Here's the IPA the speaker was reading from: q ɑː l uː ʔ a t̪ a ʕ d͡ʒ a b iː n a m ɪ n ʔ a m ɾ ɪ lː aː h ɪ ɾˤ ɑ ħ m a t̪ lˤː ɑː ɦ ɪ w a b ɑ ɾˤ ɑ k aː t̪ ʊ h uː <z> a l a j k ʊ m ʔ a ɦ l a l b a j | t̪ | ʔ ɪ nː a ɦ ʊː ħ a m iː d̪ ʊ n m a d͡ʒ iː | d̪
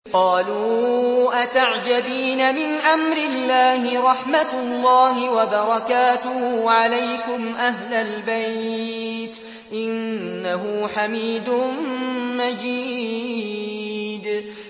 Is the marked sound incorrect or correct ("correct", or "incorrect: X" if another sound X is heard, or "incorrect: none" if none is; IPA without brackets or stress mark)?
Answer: incorrect: ʕ